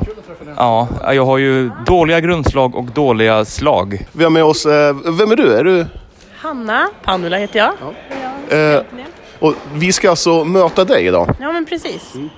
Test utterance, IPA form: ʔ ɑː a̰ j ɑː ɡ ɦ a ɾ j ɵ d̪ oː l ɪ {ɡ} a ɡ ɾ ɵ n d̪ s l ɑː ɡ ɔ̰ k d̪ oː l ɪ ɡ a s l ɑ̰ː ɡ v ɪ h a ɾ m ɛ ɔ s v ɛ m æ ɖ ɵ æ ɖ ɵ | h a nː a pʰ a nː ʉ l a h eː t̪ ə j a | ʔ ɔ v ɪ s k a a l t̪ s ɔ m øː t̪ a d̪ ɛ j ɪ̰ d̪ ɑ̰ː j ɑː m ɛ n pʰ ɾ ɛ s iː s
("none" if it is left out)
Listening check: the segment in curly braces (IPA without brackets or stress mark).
ɡ